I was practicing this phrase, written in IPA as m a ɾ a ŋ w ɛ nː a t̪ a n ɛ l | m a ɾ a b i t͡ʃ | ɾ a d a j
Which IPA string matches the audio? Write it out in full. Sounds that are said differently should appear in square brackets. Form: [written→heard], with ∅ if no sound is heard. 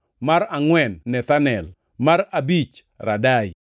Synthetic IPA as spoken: m a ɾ a ŋ w ɛ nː [a→ɛ] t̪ a n ɛ l | m a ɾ a b i t͡ʃ | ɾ a d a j